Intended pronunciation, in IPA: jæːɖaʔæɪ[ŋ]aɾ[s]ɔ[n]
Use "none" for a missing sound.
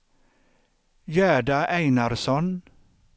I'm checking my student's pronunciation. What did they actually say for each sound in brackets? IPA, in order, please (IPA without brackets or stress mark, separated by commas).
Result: n, s, n